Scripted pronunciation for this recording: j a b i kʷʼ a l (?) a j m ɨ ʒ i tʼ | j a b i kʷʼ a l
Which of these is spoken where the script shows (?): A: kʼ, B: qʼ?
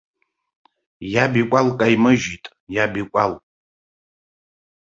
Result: A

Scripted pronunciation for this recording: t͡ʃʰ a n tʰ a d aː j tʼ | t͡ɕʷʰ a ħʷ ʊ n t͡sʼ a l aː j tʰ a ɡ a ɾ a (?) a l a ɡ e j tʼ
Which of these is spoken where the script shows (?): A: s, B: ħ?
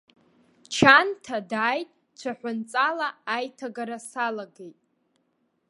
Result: A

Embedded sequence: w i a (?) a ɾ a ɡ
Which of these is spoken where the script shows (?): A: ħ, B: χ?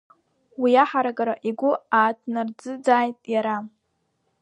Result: A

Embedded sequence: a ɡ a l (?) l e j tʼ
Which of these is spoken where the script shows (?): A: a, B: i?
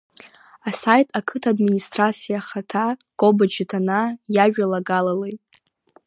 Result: A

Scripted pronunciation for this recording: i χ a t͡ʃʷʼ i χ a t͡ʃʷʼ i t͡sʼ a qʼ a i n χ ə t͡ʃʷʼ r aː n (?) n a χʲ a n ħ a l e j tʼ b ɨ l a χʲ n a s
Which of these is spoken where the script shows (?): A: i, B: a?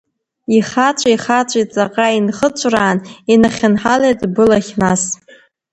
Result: A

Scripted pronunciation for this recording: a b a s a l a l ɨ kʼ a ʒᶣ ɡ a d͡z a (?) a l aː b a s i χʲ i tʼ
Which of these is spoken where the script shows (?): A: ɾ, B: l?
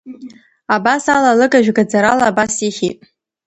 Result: A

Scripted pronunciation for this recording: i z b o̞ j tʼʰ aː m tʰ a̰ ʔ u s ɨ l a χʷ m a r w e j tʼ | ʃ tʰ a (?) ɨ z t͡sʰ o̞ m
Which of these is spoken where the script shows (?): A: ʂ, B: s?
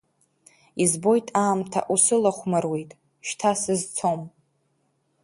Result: B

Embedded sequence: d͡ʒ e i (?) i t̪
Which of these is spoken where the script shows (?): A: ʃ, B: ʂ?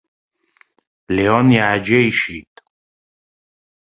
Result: A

